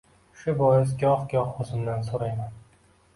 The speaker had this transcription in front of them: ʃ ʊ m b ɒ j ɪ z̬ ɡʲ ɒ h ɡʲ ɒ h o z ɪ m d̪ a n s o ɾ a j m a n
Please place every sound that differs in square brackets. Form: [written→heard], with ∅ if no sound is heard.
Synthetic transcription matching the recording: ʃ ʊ [m→∅] b ɒ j ɪ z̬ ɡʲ ɒ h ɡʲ ɒ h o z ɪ m d̪ a n s o ɾ a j m a n